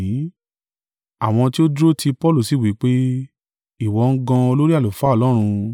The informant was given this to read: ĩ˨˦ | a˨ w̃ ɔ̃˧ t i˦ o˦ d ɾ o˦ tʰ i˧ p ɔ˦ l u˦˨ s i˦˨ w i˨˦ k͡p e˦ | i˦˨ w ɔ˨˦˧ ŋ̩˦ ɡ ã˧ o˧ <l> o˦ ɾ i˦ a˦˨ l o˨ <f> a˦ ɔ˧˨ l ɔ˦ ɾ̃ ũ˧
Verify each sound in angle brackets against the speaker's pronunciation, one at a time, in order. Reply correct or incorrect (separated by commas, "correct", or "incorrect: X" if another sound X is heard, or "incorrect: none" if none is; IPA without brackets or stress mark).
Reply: correct, correct